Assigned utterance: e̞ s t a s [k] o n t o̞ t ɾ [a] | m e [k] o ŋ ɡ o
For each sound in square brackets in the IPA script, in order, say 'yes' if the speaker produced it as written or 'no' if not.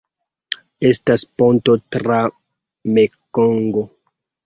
no, yes, yes

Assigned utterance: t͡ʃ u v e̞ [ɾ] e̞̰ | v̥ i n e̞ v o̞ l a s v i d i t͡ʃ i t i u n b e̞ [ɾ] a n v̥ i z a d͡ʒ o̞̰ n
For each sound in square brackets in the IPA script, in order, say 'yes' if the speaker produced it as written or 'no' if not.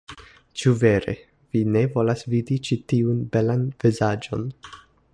yes, no

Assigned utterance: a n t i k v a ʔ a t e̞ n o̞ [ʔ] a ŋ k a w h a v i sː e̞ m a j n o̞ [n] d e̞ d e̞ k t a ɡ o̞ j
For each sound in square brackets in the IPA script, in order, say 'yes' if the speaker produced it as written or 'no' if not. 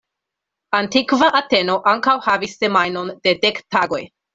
yes, yes

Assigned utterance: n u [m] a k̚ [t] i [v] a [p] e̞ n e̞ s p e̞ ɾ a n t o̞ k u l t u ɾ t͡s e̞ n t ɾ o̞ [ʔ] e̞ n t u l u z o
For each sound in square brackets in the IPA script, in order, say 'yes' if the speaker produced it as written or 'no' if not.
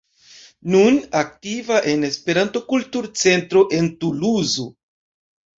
no, yes, yes, no, yes

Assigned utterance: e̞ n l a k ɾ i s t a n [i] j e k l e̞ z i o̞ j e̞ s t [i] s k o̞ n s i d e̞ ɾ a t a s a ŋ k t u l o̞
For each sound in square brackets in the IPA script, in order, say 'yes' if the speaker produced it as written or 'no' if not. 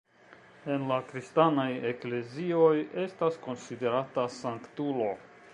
no, no

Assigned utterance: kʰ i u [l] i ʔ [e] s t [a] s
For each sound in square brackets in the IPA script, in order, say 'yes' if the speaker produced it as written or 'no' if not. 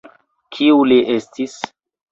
yes, yes, no

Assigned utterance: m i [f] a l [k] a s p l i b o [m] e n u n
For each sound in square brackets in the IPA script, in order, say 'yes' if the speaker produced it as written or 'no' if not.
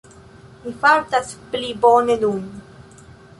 yes, no, no

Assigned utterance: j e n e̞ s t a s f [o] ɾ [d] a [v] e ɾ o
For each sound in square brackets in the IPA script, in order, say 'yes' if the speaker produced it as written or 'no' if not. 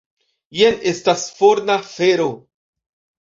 yes, no, no

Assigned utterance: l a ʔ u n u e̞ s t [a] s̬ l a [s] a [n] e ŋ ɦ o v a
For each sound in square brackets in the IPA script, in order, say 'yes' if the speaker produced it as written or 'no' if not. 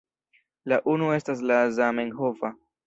yes, no, no

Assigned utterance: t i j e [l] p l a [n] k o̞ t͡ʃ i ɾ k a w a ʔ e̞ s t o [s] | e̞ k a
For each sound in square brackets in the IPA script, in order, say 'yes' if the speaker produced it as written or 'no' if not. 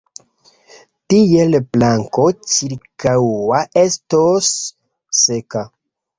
yes, no, no

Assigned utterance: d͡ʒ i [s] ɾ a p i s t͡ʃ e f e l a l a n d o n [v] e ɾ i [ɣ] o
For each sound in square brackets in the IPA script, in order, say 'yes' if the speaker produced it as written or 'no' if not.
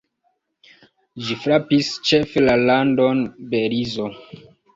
no, no, no

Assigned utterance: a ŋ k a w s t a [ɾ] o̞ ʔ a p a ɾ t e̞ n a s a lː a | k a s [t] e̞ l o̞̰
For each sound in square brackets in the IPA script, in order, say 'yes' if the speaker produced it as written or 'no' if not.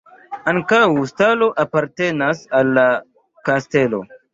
no, yes

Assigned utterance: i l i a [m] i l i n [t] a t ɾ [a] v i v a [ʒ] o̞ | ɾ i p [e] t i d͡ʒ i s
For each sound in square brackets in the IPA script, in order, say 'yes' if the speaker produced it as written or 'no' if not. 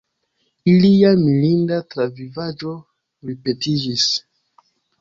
yes, no, yes, no, yes

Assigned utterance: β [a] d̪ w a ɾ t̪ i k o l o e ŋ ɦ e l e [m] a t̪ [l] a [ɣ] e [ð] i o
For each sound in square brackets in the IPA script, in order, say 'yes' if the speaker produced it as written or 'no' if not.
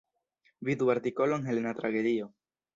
no, no, no, yes, yes

